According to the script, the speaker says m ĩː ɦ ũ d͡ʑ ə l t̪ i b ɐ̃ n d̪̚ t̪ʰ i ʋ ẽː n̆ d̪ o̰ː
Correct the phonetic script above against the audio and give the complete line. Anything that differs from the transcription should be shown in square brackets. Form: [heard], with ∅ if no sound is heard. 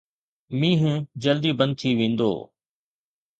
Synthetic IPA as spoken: m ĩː ɦ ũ d͡ʑ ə l [d̪] i b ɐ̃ n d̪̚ t̪ʰ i ʋ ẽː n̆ d̪ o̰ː